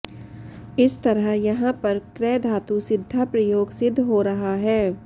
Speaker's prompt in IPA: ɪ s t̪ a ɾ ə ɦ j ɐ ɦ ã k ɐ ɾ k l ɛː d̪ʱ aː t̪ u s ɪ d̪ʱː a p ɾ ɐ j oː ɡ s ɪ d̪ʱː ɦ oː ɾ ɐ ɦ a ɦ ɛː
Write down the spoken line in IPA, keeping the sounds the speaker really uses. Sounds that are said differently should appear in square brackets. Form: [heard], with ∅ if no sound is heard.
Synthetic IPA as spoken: ɪ s t̪ [ɐ] ɾ ə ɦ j ɐ ɦ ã [p] ɐ ɾ k [ɾ] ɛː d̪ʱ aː t̪ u s ɪ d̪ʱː a p ɾ ɐ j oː ɡ s ɪ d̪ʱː ɦ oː ɾ ɐ ɦ a ɦ ɛː

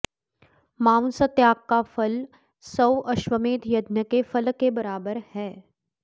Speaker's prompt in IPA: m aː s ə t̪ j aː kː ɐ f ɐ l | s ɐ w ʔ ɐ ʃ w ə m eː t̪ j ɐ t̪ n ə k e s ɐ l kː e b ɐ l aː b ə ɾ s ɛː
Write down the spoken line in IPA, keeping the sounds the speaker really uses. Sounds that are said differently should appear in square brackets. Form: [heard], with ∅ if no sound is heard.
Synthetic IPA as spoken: m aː s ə t̪ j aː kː [a] f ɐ l | s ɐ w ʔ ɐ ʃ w ə m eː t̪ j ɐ [d̪] n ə k e [f] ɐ l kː e b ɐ [ɾ] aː b ə ɾ [h] ɛː

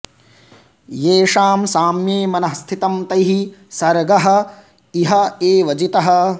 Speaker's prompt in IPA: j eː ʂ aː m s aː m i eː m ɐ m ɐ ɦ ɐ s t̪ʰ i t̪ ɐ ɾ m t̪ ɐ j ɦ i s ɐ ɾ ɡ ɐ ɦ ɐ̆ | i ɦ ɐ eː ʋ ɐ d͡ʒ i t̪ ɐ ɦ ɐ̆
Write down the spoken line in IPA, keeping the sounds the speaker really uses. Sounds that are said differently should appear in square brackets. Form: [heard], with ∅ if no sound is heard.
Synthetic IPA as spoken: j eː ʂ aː m s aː m [j] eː m ɐ [n] ɐ ɦ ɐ s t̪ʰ i t̪ ɐ [∅] m t̪ ɐ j ɦ i s ɐ ɾ ɡ ɐ ɦ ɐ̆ | i ɦ ɐ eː ʋ ɐ d͡ʒ i t̪ ɐ ɦ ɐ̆

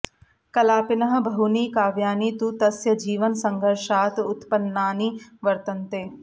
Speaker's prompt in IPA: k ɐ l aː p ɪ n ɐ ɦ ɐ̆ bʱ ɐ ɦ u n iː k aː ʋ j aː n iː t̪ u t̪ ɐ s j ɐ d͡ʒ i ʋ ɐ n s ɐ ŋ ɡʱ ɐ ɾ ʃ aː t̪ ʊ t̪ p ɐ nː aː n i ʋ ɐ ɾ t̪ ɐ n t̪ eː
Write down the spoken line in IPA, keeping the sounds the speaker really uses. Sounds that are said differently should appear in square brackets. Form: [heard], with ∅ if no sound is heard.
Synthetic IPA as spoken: k ɐ l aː p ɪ n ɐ ɦ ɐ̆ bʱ ɐ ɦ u n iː k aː ʋ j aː n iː t̪ u t̪ ɐ s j ɐ d͡ʒ [iː] ʋ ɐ n s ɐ ŋ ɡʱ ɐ ɾ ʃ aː t̪ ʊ t̪ p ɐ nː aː n i ʋ ɐ ɾ t̪ ɐ n t̪ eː

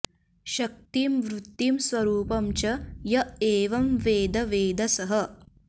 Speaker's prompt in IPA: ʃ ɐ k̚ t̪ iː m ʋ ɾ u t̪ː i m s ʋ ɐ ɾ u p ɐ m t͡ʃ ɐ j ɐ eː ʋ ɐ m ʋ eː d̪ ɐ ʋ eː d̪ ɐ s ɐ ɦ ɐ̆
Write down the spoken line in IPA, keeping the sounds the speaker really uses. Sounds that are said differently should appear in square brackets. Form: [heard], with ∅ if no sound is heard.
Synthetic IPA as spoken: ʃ ɐ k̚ t̪ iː m ʋ ɾ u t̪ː i m s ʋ ɐ ɾ [uː] p ɐ m t͡ʃ ɐ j ɐ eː ʋ ɐ m ʋ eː d̪ ɐ ʋ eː d̪ ɐ s ɐ ɦ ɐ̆

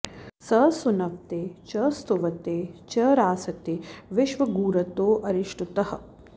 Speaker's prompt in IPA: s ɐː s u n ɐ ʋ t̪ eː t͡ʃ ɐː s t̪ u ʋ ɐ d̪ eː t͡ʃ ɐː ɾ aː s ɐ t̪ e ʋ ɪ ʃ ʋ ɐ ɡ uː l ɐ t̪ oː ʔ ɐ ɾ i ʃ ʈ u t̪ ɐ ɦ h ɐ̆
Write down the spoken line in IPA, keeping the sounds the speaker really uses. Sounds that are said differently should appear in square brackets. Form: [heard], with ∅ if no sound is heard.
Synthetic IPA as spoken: s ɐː s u n ɐ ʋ t̪ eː t͡ʃ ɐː s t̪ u ʋ ɐ [t̪] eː t͡ʃ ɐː ɾ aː s ɐ t̪ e ʋ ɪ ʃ ʋ ɐ ɡ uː [ɾ] ɐ t̪ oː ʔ ɐ ɾ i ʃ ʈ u t̪ ɐ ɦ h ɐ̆

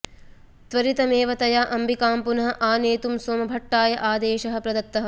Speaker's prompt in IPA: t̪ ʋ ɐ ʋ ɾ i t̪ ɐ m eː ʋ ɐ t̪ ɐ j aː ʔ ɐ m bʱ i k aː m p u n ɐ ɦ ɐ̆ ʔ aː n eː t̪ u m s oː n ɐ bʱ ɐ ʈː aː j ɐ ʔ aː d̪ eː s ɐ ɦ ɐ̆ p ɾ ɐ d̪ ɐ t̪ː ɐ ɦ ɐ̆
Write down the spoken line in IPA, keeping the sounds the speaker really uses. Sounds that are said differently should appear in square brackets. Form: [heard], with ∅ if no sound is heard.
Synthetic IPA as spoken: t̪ ʋ ɐ [∅] ɾ i t̪ ɐ m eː ʋ ɐ t̪ ɐ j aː ʔ ɐ m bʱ i k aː m p u n ɐ ɦ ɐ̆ ʔ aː n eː t̪ u m s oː [m] ɐ bʱ ɐ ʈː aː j ɐ ʔ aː d̪ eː [ʃ] ɐ ɦ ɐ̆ p ɾ ɐ d̪ ɐ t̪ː ɐ ɦ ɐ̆

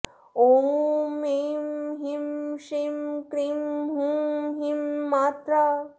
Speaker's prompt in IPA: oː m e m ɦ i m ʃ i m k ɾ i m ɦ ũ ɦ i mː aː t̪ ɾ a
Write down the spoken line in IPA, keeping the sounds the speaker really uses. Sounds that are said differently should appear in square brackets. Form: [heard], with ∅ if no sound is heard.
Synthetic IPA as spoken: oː m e m ɦ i m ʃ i m k ɾ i m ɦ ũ ɦ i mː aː t̪ ɾ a

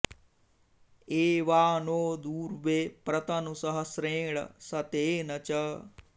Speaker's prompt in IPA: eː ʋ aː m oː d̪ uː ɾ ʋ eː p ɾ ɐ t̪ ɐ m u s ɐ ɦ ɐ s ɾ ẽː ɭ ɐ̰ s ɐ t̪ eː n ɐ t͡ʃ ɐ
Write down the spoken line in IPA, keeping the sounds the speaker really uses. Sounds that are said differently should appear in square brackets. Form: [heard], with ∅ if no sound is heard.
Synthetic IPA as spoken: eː ʋ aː [n] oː d̪ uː ɾ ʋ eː p ɾ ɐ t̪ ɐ [n] u s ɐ ɦ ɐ s ɾ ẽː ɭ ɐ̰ s ɐ t̪ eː n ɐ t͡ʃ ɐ

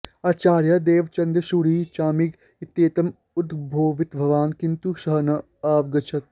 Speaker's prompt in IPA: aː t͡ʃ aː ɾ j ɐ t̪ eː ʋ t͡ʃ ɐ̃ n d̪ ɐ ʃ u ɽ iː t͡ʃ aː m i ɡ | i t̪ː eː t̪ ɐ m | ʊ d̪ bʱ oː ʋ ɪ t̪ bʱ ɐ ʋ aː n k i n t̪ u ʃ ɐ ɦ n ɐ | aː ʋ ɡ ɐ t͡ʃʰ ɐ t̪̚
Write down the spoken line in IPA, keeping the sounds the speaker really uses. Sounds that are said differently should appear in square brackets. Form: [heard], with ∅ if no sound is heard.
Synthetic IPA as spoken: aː t͡ʃ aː ɾ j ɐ [d̪] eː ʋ t͡ʃ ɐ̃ n d̪ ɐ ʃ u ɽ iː t͡ʃ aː m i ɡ | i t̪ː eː t̪ ɐ m | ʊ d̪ bʱ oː ʋ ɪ t̪ bʱ ɐ ʋ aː n k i n t̪ u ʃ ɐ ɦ n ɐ | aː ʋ ɡ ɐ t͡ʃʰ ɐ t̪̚

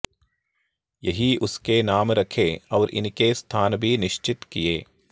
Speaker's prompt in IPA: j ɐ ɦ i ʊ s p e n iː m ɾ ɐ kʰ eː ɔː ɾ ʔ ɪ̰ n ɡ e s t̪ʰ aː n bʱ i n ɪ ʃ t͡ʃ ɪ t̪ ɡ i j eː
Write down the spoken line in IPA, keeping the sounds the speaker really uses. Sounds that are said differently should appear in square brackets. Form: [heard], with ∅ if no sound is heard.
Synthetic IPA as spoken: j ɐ ɦ i ʊ s [k] e n [aː] m ɾ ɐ kʰ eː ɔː ɾ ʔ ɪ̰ n [k] e s t̪ʰ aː n bʱ i n ɪ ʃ t͡ʃ ɪ t̪ [k] i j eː

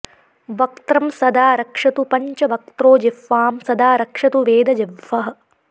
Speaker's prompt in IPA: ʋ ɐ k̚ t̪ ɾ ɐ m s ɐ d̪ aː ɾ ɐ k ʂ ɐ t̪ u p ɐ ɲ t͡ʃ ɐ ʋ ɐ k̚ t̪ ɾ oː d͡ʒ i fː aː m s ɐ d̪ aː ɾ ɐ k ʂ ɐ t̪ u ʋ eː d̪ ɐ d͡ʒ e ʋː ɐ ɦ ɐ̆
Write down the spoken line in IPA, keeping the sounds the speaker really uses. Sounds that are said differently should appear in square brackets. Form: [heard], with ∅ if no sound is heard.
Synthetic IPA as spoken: ʋ ɐ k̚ t̪ ɾ ɐ m s ɐ d̪ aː ɾ ɐ k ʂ ɐ t̪ u p ɐ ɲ t͡ʃ ɐ ʋ ɐ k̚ t̪ ɾ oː d͡ʒ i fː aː m s ɐ d̪ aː ɾ ɐ k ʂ ɐ t̪ u ʋ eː d̪ ɐ d͡ʒ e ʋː ɐ ɦ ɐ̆

